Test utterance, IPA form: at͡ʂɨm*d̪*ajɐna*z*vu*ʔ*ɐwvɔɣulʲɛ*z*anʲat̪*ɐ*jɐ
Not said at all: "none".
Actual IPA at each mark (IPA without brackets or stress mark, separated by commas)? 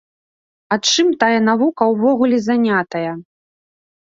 t̪, none, k, z, ɐ